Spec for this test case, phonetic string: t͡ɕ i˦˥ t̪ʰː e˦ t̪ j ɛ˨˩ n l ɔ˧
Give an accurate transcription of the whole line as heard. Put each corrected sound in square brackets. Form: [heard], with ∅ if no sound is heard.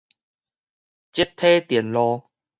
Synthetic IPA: t͡ɕ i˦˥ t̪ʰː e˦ t̪ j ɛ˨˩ n l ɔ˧

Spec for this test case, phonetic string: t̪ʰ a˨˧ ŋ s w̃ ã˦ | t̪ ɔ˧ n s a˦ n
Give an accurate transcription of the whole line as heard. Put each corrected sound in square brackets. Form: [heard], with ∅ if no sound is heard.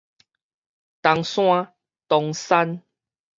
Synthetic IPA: [t̪] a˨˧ ŋ s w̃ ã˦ | t̪ ɔ˧ [ŋ] s a˦ n

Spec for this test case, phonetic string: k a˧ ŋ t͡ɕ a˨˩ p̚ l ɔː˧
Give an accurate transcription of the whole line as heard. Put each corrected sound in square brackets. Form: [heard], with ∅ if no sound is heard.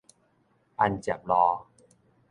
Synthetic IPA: [ʔ] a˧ [n] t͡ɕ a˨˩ p̚ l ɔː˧

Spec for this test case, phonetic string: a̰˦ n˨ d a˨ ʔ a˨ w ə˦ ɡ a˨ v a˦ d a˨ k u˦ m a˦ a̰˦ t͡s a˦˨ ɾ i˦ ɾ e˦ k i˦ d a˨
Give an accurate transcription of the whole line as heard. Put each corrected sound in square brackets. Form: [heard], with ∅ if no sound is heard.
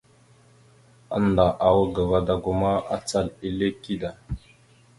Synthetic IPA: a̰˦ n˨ d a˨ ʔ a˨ w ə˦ ɡ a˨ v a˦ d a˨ [ɡ] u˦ m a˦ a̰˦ t͡s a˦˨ [l] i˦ [l] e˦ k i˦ d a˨

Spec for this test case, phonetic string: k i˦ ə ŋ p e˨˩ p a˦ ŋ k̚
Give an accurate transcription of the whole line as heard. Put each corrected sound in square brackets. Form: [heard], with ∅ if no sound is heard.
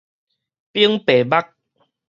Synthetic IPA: [p] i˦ ə ŋ p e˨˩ [b] a˦ [∅] k̚

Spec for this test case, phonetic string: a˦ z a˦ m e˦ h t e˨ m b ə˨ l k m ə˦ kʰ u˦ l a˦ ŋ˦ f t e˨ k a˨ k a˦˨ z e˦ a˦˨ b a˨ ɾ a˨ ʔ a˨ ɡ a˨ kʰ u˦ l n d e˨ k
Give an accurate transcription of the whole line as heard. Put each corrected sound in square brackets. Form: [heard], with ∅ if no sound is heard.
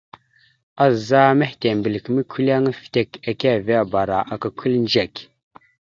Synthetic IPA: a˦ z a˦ m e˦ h t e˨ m b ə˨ l k m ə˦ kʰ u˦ l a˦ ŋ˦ f t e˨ k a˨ k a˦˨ [v] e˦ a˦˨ b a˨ ɾ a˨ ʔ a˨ [k] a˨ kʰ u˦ l n [d͡ʒ] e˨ k

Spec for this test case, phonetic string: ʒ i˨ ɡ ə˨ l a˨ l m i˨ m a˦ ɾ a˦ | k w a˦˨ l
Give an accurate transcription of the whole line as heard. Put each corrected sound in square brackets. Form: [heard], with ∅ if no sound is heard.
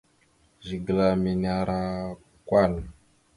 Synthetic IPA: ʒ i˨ ɡ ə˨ l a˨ [∅] m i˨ [n] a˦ ɾ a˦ | k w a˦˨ l

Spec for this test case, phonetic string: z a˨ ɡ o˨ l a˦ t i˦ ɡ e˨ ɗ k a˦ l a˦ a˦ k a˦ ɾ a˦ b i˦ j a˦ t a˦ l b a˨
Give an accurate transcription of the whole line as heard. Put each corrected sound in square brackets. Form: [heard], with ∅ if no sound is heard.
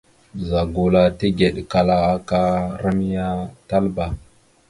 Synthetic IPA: z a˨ ɡ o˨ l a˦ t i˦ ɡ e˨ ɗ k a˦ l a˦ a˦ k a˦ ɾ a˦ [m] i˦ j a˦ t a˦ l b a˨

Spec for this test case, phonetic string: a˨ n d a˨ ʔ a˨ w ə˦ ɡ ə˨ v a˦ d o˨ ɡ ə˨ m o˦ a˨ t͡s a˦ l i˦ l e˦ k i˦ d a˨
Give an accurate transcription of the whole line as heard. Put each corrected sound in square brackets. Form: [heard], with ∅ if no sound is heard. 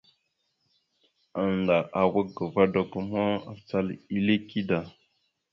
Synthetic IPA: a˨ n d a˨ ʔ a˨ w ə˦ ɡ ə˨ v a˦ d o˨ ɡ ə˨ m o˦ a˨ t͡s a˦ l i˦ l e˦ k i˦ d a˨

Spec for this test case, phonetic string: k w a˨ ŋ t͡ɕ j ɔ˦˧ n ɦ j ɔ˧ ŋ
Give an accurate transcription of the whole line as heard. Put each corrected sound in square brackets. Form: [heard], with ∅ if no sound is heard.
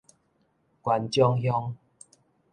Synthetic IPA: k w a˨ [n] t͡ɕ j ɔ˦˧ [ŋ] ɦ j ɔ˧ ŋ

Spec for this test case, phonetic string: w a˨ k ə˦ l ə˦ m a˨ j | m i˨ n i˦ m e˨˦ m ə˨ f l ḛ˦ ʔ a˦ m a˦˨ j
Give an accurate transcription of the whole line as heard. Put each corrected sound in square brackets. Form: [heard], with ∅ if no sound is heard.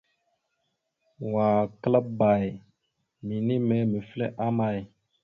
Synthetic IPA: w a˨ k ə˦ l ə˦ [b] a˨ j | m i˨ n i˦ m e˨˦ m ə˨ f l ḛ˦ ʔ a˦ m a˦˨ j

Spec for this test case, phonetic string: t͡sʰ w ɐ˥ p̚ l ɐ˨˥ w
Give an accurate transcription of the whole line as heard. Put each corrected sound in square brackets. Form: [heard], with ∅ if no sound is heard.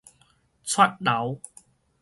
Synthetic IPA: t͡sʰ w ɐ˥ [t̚] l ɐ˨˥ w

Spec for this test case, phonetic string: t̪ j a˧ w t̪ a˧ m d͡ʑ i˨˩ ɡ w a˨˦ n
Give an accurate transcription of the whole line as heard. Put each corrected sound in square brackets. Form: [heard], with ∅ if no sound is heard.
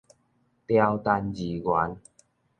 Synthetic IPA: t̪ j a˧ w t̪ a˧ [n] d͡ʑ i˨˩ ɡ w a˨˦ n

